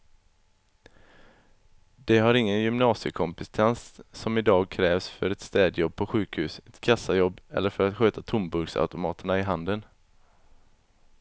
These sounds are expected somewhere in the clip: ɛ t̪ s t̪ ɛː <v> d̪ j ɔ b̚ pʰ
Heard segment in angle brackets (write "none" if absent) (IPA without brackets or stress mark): none